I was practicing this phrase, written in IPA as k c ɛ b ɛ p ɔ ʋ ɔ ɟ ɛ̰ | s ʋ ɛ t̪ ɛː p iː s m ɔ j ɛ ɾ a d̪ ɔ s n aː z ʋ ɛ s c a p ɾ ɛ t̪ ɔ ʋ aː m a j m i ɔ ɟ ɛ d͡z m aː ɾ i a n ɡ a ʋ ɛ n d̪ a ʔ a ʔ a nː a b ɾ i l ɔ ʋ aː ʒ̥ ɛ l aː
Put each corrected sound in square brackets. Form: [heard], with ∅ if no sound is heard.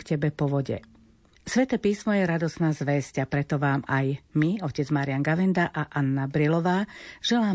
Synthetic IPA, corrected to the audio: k c ɛ b ɛ p ɔ ʋ ɔ ɟ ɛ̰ | s ʋ ɛ t̪ ɛː p iː s m ɔ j ɛ ɾ a d̪ ɔ s n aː z ʋ ɛ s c a p ɾ ɛ t̪ ɔ ʋ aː m a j m i ɔ [c] ɛ d͡z m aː ɾ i a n ɡ a ʋ ɛ n d̪ a ʔ a ʔ a nː a b ɾ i l ɔ ʋ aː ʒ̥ ɛ l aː